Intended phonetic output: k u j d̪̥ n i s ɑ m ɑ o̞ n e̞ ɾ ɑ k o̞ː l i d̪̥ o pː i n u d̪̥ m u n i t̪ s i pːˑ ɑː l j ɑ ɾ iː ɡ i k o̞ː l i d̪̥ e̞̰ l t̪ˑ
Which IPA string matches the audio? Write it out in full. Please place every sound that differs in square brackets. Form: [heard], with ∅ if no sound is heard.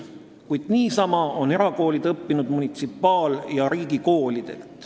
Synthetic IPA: k u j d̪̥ n [iː] s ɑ m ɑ o̞ n e̞ ɾ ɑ k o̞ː l i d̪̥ [ɤ] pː i n u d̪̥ m u n i t̪ s i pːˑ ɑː l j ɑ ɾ iː ɡ i k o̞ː l i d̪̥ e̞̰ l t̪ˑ